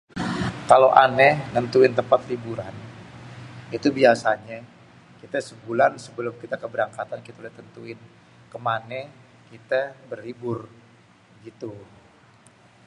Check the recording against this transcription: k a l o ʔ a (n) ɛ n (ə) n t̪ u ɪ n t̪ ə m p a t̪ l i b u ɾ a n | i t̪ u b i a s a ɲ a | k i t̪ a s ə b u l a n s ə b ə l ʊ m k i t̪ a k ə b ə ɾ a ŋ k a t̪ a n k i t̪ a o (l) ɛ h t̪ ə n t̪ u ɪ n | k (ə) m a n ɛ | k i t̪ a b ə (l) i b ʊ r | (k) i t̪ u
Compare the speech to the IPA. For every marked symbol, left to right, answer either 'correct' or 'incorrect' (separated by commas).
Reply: correct, correct, correct, correct, incorrect, incorrect